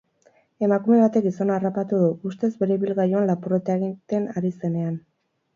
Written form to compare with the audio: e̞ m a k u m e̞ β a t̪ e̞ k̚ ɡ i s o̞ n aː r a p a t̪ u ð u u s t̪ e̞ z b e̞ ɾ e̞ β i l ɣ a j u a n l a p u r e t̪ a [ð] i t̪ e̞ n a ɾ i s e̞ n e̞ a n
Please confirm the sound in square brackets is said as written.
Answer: no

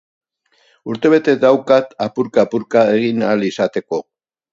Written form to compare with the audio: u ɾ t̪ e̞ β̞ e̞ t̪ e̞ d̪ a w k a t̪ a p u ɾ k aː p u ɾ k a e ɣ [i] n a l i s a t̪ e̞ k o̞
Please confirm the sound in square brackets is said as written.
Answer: yes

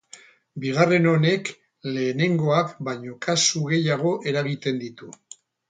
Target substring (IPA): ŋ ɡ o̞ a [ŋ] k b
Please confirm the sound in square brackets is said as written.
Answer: no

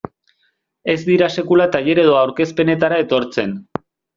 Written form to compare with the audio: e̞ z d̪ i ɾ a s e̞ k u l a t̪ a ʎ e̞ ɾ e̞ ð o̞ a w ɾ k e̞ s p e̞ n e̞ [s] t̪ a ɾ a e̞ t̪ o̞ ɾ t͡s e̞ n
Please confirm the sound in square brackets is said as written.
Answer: no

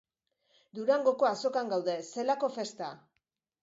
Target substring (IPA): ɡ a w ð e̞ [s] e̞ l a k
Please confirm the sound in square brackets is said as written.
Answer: yes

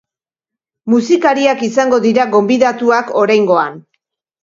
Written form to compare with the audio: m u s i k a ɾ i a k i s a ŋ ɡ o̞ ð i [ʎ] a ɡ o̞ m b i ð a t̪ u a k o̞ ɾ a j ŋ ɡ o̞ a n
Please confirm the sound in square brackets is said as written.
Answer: no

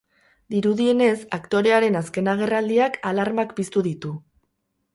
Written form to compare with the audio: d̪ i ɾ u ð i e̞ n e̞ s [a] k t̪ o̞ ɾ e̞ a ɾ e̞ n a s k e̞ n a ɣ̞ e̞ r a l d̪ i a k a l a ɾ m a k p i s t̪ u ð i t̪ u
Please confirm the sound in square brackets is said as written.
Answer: yes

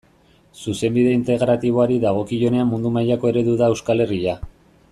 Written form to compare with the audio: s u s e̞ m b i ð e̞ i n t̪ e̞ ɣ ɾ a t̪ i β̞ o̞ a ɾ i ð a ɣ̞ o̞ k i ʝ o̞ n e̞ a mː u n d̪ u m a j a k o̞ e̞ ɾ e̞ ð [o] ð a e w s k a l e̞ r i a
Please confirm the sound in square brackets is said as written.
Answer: no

